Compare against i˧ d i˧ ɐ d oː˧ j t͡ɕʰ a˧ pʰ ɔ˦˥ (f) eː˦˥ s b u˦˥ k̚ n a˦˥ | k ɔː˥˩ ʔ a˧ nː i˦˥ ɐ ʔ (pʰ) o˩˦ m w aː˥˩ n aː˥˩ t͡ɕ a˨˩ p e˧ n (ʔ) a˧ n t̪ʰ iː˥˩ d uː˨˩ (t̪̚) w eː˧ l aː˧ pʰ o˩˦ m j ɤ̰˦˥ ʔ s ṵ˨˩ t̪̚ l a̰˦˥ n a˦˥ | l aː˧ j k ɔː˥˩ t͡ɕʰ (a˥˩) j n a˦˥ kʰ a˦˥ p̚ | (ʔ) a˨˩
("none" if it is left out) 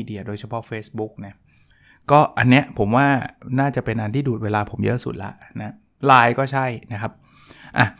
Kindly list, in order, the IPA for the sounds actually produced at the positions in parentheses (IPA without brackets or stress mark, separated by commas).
f, pʰ, ʔ, t̪̚, a˥˩, ʔ